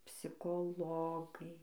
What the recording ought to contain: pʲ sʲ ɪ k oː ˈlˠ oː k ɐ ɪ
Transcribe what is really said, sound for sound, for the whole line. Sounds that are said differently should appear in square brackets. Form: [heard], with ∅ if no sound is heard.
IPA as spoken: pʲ sʲ ɪ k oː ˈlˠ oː [ɡ] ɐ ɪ

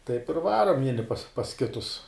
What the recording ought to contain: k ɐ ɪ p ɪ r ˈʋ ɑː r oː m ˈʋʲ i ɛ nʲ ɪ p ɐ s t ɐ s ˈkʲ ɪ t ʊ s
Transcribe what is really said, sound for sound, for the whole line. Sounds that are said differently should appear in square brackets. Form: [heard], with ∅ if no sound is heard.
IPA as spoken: [t] ɐ ɪ p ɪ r ˈʋ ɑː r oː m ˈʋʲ i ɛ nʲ ɪ p ɐ s [p] ɐ s ˈkʲ ɪ t ʊ s

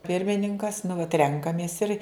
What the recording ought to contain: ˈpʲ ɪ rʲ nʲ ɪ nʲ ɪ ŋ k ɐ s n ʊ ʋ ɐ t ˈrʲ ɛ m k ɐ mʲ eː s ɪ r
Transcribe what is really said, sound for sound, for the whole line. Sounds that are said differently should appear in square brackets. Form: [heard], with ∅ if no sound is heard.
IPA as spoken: ˈpʲ ɪ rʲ [mʲ] ɪ nʲ ɪ ŋ k ɐ s n ʊ ʋ ɐ t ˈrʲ ɛ [ŋ] k ɐ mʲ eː s ɪ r

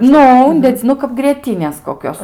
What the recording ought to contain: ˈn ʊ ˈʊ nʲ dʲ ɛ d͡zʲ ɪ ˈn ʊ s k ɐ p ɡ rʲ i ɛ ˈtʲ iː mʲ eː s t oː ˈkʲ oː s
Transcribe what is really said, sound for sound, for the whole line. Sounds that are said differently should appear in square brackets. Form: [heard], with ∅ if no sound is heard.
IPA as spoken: ˈn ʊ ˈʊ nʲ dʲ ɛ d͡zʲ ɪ ˈn ʊ [∅] k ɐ p ɡ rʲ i ɛ ˈtʲ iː [nʲ] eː s [k] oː ˈkʲ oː s

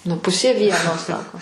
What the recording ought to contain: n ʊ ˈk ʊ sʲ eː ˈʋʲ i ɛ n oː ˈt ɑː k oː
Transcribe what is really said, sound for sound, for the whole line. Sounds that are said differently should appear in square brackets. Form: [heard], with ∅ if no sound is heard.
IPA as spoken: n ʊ [ˈp] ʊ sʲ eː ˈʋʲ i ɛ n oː [ˈs] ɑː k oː

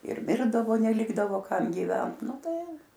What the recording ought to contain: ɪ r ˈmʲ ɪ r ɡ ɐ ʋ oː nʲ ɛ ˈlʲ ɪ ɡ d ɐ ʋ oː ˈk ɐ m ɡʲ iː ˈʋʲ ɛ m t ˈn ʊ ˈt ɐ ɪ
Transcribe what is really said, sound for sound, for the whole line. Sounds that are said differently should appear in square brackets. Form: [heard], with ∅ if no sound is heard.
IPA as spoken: ɪ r ˈmʲ ɪ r [d] ɐ ʋ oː nʲ ɛ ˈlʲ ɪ ɡ d ɐ ʋ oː ˈk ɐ m ɡʲ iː ˈʋʲ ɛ [n] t ˈn ʊ ˈt ɐ ɪ

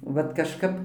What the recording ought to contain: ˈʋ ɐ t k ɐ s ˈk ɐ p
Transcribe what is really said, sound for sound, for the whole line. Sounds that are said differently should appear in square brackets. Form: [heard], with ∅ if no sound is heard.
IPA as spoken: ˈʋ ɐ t k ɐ [ʃ] ˈk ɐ p

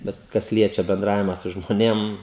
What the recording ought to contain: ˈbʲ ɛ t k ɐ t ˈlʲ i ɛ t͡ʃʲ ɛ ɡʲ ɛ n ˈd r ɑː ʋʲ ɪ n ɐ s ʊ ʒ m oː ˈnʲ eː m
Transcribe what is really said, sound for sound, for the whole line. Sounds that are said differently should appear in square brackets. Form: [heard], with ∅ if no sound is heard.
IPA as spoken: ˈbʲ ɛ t k ɐ [s] ˈlʲ i ɛ t͡ʃʲ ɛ [bʲ] ɛ n ˈd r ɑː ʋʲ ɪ [m] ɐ s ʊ ʒ m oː ˈnʲ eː m

